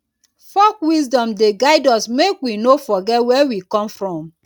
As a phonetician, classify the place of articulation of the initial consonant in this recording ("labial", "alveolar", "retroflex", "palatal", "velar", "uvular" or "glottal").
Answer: labial